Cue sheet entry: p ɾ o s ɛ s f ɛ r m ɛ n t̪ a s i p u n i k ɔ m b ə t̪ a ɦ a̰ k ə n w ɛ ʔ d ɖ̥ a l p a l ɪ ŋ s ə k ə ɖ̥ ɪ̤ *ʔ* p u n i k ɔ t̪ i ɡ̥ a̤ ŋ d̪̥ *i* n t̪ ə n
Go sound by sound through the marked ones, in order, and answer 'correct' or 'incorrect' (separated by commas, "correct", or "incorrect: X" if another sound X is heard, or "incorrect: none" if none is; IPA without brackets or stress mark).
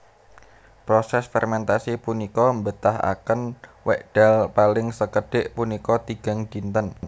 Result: correct, correct